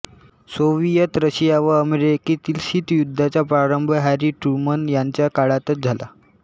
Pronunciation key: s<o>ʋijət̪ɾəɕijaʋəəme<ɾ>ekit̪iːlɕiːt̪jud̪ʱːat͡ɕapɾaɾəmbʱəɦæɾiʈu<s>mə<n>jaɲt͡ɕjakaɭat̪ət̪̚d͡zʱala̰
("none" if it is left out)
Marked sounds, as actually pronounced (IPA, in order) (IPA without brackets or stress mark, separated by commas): o, ɾ, none, n